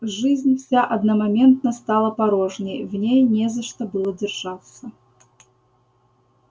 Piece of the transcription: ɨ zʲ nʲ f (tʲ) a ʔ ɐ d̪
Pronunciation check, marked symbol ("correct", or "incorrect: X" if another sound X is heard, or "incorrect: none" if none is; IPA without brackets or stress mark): incorrect: sʲ